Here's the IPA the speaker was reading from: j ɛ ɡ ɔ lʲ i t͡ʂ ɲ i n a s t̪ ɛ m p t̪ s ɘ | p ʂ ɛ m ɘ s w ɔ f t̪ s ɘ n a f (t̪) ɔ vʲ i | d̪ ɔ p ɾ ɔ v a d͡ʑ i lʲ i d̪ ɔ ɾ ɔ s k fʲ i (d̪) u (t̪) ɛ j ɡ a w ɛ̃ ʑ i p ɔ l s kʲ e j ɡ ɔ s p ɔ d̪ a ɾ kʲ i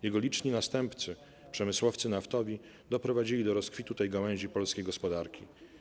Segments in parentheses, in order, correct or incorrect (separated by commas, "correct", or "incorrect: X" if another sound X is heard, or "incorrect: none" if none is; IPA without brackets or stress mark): correct, incorrect: t̪, correct